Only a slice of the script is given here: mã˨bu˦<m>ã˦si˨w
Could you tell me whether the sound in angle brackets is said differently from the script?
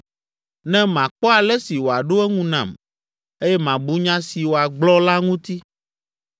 yes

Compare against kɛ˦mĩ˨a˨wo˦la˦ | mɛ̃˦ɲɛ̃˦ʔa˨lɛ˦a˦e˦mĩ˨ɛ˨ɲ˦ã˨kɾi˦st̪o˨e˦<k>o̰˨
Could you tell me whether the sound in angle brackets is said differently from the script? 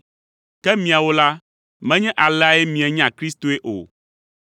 yes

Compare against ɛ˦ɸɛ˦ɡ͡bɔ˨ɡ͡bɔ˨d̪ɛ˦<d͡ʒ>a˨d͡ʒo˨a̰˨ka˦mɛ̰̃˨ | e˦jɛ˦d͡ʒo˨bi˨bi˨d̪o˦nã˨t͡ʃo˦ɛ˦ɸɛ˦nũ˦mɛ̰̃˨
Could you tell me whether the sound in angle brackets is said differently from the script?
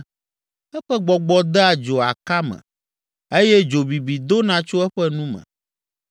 yes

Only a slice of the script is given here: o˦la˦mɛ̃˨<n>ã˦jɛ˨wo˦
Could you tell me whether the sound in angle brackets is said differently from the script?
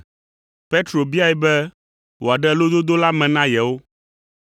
no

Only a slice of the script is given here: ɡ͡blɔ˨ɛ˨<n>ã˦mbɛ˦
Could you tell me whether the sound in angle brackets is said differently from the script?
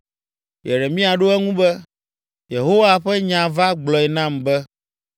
no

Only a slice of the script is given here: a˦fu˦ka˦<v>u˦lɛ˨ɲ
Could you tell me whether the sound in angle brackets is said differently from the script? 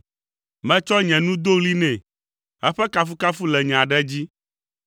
yes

